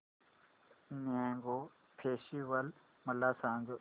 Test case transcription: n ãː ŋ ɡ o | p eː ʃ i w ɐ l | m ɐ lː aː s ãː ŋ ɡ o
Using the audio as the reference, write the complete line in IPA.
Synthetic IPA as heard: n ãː ŋ ɡ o | pʰ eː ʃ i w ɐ l | m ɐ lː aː s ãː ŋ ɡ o

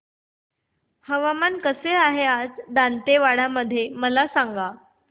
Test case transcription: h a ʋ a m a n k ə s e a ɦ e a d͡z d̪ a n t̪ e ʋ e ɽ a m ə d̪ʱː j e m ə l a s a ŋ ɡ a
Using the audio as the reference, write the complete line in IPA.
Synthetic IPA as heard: h ə ʋ a m a n k ə s e a ɦ e a d͡z d̪ a n t̪ e ʋ a ɽ a m ə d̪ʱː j e m ə l a s a ŋ ɡ a

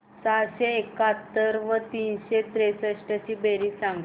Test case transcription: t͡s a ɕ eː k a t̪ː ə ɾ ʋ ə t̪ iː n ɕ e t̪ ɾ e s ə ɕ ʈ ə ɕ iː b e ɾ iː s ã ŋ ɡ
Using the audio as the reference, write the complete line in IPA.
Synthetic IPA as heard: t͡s a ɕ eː k a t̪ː ə ɾ ʋ ə t̪ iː n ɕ e t̪ ɾ e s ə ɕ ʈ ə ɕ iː b e ɾ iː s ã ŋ ɡ

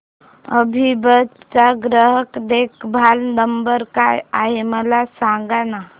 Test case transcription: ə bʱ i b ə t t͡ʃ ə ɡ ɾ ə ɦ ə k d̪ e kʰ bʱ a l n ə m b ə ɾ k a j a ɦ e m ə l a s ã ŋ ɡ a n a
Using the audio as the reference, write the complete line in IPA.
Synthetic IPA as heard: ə bʱ i b ə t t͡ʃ a ɡ ɾ ə ɦ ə k d̪ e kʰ bʱ a l n ə m b ə ɾ k a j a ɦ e m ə l a s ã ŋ ɡ a n a

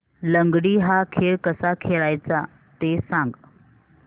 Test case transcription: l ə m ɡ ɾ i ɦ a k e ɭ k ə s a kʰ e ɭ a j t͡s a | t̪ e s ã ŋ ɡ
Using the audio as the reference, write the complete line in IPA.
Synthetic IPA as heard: l ə ŋ ɡ ɽ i ɦ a kʰ e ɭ k ə s a kʰ e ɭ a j t͡s a | t̪ e s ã ŋ ɡ

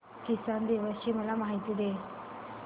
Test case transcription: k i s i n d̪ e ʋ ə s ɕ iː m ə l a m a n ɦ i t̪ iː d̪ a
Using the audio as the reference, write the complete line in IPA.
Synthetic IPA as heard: k i s a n d̪ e ʋ ə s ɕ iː m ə l a m a ɦ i t̪ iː d̪ e

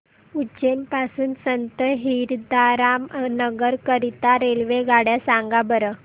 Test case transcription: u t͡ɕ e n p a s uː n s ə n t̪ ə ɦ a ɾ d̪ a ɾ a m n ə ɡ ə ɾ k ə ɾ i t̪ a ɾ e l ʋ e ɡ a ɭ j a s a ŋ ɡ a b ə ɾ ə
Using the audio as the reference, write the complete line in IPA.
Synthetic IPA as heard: u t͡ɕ e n p a s uː n s ə n t̪ ə ɦ i ɾ d̪ a ɾ a m n ə ɡ ə ɾ k ə ɾ i t̪ a ɾ e l ʋ e ɡ a ɽ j a s a ŋ ɡ a b ə ɾ ə

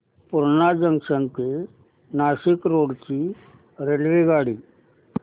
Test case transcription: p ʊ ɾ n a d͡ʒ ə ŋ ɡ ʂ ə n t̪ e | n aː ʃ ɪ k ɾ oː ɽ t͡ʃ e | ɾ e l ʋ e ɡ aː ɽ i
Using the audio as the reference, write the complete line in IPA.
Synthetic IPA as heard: p ʊ ɾ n a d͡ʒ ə ŋ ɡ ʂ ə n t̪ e | n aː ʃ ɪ k ɾ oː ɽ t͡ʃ i | ɾ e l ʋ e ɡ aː ɽ i

